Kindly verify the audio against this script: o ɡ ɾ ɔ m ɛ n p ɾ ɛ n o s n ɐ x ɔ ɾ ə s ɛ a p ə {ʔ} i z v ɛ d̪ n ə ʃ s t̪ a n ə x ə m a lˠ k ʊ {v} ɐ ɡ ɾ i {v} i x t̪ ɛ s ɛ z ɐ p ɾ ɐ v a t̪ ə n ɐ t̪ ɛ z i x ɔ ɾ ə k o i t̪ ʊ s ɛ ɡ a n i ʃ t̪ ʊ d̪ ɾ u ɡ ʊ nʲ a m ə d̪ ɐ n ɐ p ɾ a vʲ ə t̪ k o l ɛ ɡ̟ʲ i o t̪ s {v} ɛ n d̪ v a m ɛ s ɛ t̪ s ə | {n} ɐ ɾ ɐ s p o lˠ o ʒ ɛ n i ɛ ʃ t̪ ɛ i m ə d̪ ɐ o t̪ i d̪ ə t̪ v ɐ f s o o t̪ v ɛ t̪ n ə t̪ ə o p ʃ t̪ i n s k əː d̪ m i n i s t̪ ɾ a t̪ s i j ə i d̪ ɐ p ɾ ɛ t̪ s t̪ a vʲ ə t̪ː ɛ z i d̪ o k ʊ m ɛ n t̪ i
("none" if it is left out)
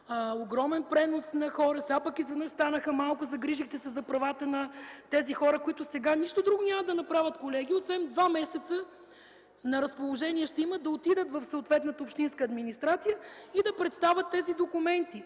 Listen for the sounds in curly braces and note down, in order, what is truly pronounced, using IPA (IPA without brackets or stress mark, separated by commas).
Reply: k, z, ʒ, v, n